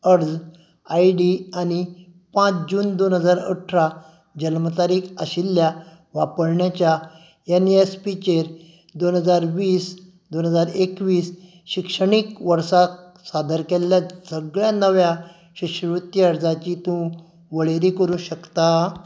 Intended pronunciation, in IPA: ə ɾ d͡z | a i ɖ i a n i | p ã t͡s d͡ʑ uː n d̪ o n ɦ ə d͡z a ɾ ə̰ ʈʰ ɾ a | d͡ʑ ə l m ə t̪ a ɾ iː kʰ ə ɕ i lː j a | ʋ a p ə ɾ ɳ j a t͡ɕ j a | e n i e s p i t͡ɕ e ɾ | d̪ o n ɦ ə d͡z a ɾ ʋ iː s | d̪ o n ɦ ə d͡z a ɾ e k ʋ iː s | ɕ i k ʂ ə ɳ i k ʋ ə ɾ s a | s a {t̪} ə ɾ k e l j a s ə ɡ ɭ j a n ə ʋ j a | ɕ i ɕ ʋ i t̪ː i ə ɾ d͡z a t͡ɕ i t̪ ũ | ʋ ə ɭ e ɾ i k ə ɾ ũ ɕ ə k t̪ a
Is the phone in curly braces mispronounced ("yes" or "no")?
yes